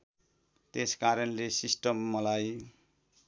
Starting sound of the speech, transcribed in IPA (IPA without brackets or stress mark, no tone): t̪